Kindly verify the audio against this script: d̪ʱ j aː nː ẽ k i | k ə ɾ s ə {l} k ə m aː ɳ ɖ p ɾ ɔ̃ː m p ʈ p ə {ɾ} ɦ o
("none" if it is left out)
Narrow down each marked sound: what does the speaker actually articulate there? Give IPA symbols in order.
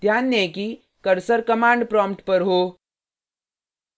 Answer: ɾ, ɾ

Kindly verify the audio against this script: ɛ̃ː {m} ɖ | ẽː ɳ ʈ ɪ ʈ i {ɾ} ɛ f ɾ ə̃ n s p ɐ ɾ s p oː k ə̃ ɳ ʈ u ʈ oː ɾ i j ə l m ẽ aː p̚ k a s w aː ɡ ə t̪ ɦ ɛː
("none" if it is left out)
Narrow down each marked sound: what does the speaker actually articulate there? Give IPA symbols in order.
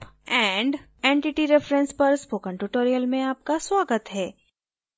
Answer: ɳ, ɾ

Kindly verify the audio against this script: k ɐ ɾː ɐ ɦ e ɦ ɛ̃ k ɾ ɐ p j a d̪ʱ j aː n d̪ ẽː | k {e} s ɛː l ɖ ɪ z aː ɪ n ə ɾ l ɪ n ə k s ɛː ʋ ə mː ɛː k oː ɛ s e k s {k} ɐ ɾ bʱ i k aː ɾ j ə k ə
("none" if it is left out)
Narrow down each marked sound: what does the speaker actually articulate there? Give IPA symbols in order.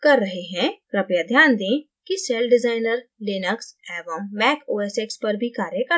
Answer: i, p

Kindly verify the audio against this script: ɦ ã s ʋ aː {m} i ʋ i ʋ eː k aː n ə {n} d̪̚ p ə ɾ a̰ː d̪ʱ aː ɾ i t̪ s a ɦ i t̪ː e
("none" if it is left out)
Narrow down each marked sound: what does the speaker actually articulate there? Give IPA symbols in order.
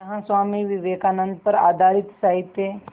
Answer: m, n

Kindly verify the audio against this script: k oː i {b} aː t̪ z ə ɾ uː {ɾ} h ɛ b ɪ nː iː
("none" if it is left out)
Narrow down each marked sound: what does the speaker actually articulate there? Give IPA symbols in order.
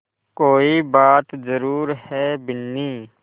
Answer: b, ɾ

